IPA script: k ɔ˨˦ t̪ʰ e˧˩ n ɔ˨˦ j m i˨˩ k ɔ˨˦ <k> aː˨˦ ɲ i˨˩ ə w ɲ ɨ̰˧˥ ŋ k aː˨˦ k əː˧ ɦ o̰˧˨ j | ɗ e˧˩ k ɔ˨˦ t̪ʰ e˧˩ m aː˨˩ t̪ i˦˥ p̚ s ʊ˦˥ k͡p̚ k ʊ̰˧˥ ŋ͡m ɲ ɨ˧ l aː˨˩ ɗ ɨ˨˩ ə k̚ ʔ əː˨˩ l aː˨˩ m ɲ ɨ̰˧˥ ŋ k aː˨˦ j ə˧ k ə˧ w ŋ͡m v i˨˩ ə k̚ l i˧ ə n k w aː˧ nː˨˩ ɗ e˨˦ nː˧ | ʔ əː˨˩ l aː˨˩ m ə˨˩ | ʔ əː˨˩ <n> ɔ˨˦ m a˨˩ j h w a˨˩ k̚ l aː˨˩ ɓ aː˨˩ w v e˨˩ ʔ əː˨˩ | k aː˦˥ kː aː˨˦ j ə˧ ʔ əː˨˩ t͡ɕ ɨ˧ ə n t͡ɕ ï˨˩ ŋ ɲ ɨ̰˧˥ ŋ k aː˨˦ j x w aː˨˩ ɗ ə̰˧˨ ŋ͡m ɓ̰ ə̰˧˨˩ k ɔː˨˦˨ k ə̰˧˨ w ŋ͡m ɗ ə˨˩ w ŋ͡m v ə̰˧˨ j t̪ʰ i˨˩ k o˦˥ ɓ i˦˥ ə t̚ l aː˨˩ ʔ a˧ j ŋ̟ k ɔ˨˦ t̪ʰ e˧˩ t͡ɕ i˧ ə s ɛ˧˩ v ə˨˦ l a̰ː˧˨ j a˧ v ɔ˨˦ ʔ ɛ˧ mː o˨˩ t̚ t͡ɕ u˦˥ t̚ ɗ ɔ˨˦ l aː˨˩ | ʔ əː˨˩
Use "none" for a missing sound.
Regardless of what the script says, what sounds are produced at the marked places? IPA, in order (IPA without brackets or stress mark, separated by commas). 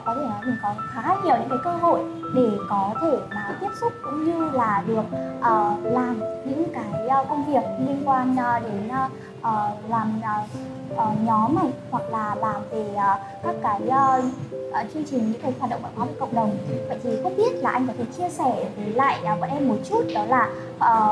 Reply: x, ɲ